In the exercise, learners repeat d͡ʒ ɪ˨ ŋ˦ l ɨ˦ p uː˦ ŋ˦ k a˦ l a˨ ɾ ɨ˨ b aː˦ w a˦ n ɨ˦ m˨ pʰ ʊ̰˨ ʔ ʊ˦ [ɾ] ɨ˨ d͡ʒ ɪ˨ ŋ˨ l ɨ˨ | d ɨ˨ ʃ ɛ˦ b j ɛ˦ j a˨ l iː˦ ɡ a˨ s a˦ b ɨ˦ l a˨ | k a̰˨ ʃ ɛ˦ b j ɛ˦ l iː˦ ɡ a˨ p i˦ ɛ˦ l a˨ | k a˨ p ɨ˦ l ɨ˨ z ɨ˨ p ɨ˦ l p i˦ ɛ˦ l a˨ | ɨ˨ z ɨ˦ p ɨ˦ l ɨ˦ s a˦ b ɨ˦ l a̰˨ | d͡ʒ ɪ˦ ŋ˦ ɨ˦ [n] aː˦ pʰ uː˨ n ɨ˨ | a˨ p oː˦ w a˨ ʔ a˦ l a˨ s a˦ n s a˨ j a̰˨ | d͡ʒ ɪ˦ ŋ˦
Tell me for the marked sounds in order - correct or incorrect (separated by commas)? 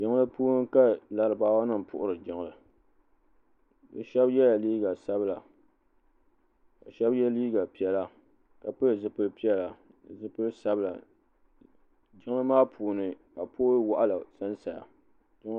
correct, incorrect